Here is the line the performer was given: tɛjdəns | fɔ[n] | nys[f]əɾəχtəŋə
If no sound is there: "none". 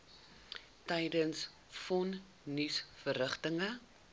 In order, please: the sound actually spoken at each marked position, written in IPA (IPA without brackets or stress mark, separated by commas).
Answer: n, f